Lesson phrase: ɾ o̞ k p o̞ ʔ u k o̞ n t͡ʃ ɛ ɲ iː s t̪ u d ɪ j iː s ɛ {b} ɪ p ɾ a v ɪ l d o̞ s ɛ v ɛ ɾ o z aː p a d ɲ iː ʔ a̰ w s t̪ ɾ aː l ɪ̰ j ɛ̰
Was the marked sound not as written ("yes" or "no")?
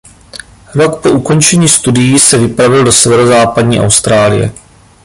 yes